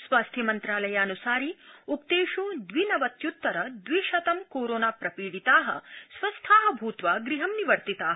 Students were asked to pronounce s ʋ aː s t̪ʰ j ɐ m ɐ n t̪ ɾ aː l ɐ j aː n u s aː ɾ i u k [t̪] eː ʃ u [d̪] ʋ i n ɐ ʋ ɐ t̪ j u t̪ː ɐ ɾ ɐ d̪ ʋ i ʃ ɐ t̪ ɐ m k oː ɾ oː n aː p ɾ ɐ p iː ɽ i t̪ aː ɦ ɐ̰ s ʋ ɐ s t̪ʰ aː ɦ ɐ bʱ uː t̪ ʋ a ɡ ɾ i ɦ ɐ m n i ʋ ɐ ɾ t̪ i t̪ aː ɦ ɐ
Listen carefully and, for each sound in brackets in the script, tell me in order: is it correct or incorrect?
correct, correct

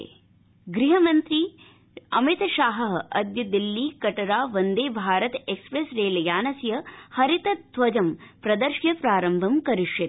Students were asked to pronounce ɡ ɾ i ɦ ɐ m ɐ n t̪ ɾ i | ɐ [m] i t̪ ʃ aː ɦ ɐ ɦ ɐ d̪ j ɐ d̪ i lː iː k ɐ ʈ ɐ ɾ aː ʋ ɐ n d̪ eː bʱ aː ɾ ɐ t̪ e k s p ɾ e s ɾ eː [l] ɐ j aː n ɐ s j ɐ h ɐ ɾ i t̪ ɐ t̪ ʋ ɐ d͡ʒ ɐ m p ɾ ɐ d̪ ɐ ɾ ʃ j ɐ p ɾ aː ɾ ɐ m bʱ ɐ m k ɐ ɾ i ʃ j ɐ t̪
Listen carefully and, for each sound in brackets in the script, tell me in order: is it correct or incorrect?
correct, correct

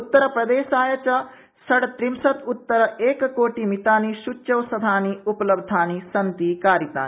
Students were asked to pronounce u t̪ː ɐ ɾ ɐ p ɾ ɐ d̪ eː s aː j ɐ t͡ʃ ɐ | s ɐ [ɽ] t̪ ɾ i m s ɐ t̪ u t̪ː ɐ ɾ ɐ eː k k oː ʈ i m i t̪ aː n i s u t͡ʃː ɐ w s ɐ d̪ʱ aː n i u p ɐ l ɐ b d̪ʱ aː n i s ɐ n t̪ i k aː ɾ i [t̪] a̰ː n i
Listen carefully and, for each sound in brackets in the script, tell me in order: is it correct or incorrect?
correct, correct

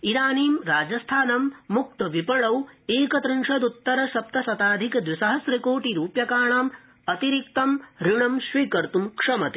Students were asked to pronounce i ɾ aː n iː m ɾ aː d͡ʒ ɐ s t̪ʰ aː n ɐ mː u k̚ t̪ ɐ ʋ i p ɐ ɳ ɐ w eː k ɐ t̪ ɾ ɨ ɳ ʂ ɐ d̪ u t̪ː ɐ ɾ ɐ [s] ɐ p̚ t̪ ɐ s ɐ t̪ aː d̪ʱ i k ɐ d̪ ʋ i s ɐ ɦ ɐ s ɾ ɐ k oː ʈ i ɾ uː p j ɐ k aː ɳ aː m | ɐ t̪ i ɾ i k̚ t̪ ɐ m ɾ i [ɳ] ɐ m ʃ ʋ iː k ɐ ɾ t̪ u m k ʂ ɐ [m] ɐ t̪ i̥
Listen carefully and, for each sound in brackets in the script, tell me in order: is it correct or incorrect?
incorrect: ʃ, correct, correct

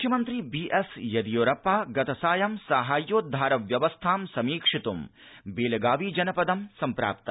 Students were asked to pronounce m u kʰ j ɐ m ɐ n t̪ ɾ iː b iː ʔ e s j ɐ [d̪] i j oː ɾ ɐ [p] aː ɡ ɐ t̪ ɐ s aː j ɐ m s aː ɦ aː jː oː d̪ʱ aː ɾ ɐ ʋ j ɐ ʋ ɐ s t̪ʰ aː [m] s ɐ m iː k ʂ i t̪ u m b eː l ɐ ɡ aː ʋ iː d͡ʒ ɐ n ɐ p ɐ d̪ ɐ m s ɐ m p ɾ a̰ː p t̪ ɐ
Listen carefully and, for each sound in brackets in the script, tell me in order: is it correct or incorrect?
correct, correct, correct

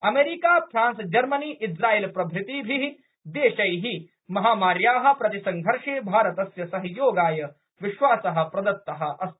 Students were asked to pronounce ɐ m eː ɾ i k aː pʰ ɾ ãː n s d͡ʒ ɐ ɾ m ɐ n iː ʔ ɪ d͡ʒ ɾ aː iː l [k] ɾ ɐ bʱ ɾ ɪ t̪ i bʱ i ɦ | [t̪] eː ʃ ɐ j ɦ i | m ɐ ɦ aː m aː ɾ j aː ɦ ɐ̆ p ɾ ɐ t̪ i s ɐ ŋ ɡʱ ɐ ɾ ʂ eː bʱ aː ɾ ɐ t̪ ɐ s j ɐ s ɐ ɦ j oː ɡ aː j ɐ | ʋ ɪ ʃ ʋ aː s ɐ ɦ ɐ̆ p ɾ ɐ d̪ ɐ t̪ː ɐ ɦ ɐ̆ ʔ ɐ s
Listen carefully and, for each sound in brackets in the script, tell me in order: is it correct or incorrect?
incorrect: p, incorrect: d̪

